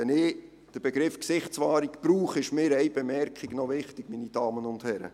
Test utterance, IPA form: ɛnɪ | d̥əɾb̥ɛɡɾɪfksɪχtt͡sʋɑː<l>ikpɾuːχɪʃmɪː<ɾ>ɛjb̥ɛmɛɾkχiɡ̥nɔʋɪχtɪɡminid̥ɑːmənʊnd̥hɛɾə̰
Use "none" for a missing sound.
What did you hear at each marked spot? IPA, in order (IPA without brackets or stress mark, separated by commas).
ɾ, ɾ